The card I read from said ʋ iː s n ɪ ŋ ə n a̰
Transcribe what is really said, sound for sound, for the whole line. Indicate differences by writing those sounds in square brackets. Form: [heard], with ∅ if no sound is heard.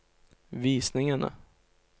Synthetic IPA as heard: [v] iː s n ɪ ŋ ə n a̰

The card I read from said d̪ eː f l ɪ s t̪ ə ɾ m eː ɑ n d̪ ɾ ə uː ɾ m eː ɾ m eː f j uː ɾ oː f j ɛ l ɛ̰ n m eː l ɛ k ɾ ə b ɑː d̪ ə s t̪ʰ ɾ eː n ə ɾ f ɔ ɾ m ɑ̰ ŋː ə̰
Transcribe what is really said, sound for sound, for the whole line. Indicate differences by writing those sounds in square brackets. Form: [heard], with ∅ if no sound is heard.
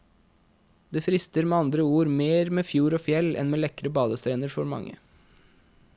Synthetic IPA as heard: d̪ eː f [ɾ] ɪ s t̪ ə ɾ m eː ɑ n d̪ ɾ ə uː ɾ m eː ɾ m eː f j uː ɾ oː f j ɛ l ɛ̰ n m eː l ɛ k ɾ ə b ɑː d̪ ə s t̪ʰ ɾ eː n ə ɾ f ɔ ɾ m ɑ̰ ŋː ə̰

